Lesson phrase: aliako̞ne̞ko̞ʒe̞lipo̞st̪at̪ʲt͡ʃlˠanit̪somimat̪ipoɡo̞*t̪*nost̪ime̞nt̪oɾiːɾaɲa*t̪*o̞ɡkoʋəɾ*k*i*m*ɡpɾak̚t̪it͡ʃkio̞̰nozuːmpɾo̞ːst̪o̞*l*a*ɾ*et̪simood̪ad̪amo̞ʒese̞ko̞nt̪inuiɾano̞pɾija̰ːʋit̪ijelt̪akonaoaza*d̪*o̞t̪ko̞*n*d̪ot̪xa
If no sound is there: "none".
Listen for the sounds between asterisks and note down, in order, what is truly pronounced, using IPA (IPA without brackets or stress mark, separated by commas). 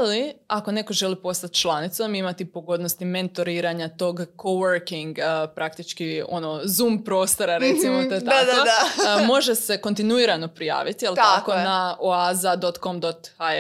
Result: d̪, t̪, k, ŋ, ɾ, ɾ, d̪, m